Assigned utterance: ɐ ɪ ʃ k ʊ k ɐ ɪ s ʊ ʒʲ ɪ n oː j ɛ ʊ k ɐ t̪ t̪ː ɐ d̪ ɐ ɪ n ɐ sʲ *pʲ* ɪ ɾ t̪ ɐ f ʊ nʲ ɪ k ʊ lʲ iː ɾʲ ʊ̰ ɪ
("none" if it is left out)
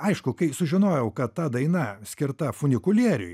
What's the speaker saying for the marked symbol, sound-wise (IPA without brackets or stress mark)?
kʲ